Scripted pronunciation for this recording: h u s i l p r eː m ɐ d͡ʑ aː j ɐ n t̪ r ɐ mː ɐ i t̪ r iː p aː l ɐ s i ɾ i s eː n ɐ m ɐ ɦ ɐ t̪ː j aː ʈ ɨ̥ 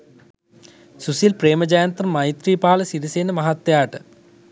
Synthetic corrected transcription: s u s i l p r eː m ɐ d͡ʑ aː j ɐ n t̪ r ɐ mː ɐ j t̪ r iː p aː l ɐ s i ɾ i s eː n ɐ m ɐ ɦ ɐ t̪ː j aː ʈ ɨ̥